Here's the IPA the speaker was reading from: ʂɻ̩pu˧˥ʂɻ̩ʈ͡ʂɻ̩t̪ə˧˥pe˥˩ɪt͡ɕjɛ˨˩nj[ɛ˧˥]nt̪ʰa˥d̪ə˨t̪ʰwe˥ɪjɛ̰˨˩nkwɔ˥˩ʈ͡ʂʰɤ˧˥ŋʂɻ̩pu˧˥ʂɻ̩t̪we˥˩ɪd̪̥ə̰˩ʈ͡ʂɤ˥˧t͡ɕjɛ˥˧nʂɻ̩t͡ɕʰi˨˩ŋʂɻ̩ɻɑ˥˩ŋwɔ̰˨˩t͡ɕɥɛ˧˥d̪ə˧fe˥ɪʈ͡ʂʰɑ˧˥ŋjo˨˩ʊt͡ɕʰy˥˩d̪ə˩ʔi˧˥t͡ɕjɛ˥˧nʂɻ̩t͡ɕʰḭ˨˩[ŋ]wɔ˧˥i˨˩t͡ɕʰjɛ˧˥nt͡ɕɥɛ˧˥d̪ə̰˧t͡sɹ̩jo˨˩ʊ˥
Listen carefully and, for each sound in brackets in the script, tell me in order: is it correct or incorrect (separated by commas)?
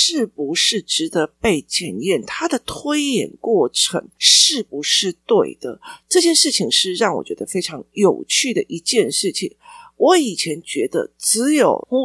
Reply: incorrect, correct